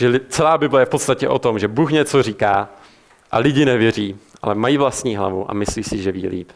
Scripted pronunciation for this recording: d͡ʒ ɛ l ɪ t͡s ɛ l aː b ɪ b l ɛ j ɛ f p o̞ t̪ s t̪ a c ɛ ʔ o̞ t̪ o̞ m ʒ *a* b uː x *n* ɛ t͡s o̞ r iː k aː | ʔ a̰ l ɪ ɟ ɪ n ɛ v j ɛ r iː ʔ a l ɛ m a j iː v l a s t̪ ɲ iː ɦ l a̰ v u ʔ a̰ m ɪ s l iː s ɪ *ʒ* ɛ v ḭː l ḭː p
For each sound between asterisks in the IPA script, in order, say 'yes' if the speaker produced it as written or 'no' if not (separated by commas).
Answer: no, no, yes